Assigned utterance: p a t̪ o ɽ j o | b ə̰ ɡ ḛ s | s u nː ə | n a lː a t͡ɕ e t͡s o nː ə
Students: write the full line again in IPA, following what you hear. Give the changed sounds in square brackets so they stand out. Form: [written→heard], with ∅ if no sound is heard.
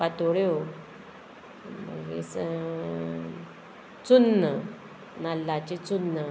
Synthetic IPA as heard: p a t̪ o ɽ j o | [b→m] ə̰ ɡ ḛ s | [s→t͡s] u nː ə | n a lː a t͡ɕ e t͡s [o→u] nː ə